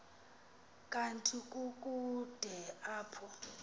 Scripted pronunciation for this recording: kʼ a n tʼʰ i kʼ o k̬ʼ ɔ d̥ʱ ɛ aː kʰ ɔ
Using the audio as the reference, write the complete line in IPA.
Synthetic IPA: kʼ a n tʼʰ i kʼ u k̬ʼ u d̥ʱ ɛ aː pʰ ɔ

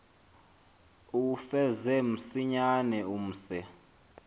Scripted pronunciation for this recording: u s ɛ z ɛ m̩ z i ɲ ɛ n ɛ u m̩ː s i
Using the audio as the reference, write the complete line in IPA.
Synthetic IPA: u f ɛ z ɛ m̩ s i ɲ a n ɛ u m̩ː s ɛ

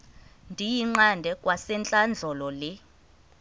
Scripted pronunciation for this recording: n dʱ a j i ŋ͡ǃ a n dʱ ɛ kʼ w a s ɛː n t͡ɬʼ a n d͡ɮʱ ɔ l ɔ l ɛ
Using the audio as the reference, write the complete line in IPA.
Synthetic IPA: n dʱ i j i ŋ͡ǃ a n dʱ ɛ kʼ w a s ɛ n t͡ɬʼ a n d͡ɮʱ ɔ l ɔ l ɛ

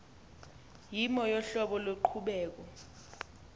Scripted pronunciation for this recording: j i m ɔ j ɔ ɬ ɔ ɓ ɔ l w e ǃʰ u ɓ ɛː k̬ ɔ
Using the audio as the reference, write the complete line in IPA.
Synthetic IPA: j i m ɔ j ɔ ɬ ɔ ɓ ɔ l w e ǃʰ u ɓ ɛː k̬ ɔ

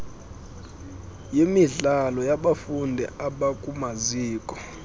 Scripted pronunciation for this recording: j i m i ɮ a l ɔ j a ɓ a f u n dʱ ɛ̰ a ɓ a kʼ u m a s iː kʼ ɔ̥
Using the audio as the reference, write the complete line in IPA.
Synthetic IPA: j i m i ɮ a l ɔ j a ɓ a f u n dʱ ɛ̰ a ɓ a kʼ u m a z iː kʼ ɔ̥

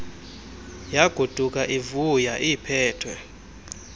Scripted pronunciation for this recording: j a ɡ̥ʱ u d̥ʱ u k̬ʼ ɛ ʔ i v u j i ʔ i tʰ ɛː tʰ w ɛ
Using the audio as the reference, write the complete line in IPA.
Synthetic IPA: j a ɡ̥ʱ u d̥ʱ u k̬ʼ a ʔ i v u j a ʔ i pʰ ɛː tʰ w ɛ

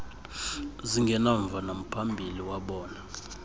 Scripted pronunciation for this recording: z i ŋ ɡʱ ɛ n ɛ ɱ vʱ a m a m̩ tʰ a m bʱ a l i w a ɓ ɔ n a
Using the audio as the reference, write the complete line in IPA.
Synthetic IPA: z i ŋ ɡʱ ɛ n a ɱ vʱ a n a m̩ pʰ a m bʱ i l i w a ɓ ɔː n a

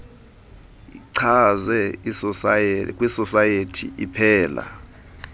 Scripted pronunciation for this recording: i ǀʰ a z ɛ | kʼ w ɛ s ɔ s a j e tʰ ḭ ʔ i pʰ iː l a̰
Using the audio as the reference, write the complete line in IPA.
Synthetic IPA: i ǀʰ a z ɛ | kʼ w i s ɔ s a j e tʰ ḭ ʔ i pʰ ɛː l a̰

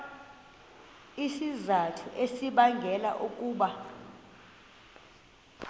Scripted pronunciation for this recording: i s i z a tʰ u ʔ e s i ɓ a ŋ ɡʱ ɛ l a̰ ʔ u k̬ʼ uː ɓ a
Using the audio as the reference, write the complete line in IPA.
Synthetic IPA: i s i z a tʰ u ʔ e s i ɓ a ŋ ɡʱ ɛ l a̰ ʔ u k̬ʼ uː ɓ a

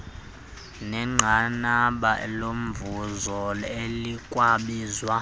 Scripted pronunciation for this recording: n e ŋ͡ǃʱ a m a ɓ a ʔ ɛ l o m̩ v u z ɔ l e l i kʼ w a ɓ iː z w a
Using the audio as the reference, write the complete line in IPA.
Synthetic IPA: n ɛ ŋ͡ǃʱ a n a ɓ a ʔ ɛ l o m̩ v u z ɔ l e l i kʼ w a ɓ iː z w a

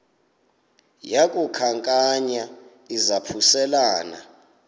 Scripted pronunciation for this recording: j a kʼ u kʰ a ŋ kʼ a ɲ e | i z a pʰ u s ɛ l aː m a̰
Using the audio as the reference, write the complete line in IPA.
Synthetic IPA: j a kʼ u kʰ a ŋ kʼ a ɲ a | i z a pʰ u s ɛ l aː n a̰

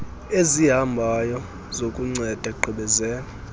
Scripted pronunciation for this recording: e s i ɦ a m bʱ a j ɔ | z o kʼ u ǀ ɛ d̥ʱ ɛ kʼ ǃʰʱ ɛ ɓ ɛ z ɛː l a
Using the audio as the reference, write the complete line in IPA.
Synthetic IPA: e z i ɦ a m bʱ a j ɔ | z o kʼ u ŋ͡ǀ ɛ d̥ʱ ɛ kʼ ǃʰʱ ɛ ɓ ɛ z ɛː l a

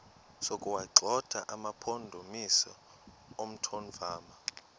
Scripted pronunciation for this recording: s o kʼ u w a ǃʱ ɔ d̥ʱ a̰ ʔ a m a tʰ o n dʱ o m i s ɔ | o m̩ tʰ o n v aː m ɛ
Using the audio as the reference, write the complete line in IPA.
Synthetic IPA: s o kʼ u w a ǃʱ ɔ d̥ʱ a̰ ʔ a m a pʰ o n dʱ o m i s ɔ | o m̩ tʰ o n v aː m a

